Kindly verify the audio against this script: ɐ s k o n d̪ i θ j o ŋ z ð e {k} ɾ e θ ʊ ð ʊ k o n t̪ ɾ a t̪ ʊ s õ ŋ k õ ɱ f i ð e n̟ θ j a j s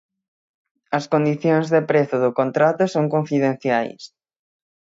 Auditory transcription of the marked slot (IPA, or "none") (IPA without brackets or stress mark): p